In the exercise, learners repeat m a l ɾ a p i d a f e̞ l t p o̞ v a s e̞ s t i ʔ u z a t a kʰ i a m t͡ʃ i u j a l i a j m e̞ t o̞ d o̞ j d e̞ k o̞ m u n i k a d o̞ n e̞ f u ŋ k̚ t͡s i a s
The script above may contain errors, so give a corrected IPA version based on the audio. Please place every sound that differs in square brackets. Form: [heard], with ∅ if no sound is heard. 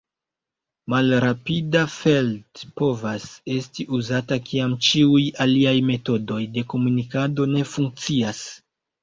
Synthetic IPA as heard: m a l ɾ a p i d a f e̞ l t p o̞ v a s e̞ s t i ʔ u z a t a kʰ i a m t͡ʃ i u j a l i a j m e̞ t o̞ d o̞ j d e̞ k o̞ m u n i k a d o̞ n e̞ f u ŋ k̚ t͡s i a s